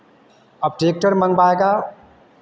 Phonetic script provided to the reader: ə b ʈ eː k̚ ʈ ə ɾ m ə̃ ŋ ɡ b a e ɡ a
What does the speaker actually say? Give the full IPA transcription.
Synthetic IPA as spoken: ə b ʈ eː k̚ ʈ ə ɾ m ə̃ ŋ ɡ b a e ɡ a

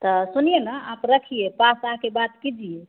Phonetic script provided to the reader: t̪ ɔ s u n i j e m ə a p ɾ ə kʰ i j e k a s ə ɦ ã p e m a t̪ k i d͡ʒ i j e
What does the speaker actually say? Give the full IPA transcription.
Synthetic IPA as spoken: t̪ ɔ s u n i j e n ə a p ɾ ə kʰ i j e p a s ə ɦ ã k e b a t̪ k i d͡ʒ i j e

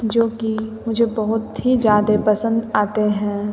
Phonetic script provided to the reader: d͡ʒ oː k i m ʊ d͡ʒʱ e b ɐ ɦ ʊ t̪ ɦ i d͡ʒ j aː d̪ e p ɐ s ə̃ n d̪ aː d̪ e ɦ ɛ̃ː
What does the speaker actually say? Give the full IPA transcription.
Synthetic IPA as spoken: d͡ʒ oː k i m ʊ d͡ʒʱ e b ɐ ɦ ʊ t̪ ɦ i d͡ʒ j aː d̪ e p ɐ s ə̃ n d̪ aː t̪ e ɦ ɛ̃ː

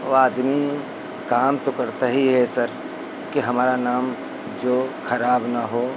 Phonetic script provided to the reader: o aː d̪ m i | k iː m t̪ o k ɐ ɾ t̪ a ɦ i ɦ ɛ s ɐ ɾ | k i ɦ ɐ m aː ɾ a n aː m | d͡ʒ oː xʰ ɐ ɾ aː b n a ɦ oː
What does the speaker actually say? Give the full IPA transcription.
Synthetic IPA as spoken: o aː d̪ m i | k aː m t̪ o k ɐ ɾ t̪ a ɦ i ɦ ɛ s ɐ ɾ | k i ɦ ɐ m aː ɾ a n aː m | d͡ʒ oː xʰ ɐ ɾ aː b n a ɦ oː

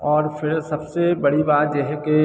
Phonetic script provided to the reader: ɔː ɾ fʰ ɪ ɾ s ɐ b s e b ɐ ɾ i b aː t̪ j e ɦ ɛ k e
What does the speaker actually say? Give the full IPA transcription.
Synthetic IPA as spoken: ɔː ɾ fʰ ɪ ɾ s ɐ b s e b ɐ ɽ i b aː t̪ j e ɦ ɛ k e

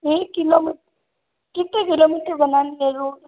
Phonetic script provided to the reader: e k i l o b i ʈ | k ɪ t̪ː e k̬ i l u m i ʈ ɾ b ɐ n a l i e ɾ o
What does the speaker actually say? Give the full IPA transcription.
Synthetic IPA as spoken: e k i l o m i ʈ | k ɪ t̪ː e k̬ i l o m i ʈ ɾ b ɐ n a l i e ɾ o

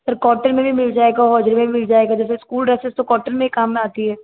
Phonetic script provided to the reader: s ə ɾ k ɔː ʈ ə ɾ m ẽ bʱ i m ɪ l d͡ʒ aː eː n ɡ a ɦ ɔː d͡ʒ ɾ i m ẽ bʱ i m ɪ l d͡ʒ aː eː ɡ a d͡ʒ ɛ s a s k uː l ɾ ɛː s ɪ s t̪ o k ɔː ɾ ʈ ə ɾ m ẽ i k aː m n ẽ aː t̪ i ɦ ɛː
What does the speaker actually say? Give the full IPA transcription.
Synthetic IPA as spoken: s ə ɾ k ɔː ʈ ə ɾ m ẽ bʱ i m ɪ l d͡ʒ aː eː ɡ a ɦ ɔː d͡ʒ ɾ i m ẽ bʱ i m ɪ l d͡ʒ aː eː ɡ a d͡ʒ ɛː s e s k uː l ɾ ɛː s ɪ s t̪ o k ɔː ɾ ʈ ə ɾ m ẽ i k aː m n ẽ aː t̪ i ɦ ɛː

